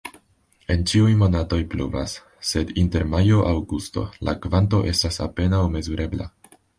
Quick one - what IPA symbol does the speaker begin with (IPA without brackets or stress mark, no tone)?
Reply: e̞